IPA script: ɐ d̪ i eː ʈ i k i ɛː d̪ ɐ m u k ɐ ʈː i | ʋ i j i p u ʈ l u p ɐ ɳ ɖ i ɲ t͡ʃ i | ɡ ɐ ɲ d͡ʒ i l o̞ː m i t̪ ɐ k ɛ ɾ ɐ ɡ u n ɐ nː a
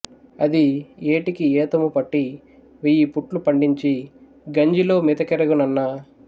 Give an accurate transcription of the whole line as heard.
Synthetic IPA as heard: ɐ d̪ i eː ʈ i k i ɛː t̪ ɐ m u p ɐ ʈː i | ʋ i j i p u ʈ l u p ɐ ɳ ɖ i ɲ t͡ʃ i | ɡ ɐ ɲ d͡ʒ i l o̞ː m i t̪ ɐ k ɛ ɾ ɐ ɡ u n ɐ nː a

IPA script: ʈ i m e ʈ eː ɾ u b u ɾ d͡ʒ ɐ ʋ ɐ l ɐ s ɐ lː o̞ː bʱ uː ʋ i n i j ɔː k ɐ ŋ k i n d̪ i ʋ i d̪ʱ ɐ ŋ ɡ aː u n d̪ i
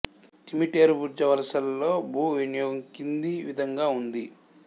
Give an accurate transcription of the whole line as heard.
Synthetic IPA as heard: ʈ i m i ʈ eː ɾ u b u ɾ d͡ʒ ɐ ʋ ɐ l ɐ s ɐ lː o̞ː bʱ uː ʋ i n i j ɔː ɡ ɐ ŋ k i n d̪ i ʋ i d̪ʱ ɐ ŋ ɡ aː u n d̪ i

